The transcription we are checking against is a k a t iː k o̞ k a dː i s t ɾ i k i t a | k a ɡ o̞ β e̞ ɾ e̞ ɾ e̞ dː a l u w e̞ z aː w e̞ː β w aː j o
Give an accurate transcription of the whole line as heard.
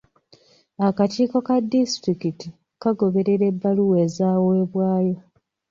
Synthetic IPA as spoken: a k a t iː k o̞ k a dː i s t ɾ i k i t i | k a ɡ o̞ β e̞ ɾ e̞ ɾ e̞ bː a l u w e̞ z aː w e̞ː β w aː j o